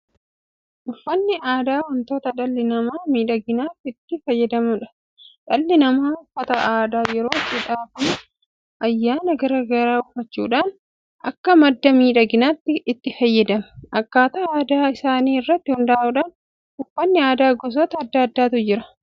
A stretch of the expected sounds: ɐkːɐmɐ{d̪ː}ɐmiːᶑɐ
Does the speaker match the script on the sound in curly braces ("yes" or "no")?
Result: yes